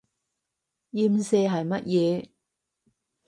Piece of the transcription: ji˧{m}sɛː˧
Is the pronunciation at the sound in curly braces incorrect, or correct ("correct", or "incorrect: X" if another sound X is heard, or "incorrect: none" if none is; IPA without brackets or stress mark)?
correct